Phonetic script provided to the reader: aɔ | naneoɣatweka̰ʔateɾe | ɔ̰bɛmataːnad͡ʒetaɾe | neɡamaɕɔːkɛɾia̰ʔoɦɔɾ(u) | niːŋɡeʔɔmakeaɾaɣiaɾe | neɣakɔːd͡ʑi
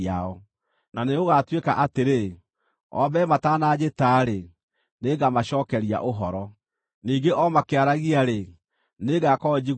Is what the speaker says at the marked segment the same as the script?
no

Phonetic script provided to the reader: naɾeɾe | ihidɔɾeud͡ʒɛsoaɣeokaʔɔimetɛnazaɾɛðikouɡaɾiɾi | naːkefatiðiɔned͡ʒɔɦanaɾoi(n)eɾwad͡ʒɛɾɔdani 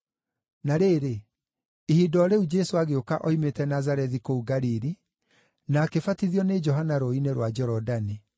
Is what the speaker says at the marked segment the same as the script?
yes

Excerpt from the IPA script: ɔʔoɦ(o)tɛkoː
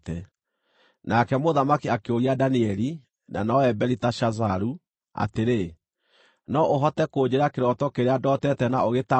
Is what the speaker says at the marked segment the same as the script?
no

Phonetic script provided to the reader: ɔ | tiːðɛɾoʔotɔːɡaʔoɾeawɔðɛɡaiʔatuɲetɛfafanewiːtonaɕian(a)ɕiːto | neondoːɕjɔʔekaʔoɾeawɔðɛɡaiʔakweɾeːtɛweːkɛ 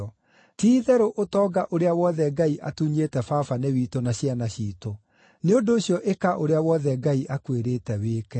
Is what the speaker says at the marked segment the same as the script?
yes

